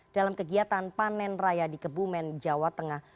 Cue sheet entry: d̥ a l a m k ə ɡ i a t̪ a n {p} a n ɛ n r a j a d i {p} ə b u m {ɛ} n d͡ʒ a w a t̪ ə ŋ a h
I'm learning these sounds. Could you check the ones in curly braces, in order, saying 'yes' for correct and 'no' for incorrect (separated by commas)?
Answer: yes, no, yes